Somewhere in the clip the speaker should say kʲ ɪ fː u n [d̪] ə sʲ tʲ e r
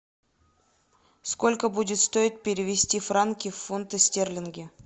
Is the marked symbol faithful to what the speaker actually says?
no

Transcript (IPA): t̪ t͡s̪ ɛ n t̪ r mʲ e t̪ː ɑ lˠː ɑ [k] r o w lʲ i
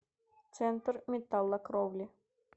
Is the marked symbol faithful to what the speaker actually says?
yes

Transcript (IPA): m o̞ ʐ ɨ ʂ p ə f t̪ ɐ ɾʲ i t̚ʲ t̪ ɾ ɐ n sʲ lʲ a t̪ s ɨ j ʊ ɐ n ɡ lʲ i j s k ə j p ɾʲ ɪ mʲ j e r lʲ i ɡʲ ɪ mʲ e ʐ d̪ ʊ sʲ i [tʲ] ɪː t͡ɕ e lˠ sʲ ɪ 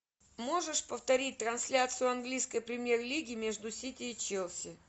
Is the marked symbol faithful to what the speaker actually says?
yes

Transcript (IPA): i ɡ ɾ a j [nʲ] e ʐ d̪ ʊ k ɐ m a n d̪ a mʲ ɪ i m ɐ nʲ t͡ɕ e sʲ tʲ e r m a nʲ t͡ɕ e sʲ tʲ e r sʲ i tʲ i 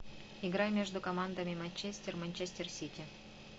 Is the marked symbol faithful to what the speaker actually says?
no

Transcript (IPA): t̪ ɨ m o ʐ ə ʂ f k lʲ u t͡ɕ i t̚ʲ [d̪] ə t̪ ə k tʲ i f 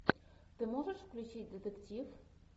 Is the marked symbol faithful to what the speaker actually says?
yes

